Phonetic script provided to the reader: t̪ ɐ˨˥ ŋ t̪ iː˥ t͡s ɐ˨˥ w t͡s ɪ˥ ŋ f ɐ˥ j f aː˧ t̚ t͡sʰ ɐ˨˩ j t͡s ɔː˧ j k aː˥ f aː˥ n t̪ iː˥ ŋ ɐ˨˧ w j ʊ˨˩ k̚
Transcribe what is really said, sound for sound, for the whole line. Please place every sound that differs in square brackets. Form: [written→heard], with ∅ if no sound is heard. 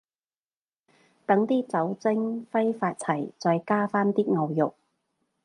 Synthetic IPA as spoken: t̪ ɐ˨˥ ŋ t̪ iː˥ t͡s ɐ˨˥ w t͡s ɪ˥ ŋ f ɐ˥ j f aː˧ t̚ t͡sʰ ɐ˨˩ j t͡s ɔː˧ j k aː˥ f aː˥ n t̪ iː˥ ŋ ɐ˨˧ w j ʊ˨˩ k̚